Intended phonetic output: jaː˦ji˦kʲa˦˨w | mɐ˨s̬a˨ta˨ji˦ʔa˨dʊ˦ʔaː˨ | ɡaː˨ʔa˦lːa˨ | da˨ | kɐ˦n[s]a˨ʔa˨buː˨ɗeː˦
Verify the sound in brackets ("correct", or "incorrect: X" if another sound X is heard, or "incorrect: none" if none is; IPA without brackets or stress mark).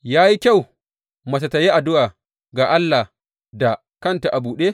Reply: incorrect: t